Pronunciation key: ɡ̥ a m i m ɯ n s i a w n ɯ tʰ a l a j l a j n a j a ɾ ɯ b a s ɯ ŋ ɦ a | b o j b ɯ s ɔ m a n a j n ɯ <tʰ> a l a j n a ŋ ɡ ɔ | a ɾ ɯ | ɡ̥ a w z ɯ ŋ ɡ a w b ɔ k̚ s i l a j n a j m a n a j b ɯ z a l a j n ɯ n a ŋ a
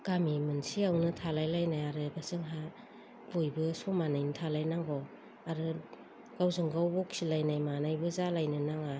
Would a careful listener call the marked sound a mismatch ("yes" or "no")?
no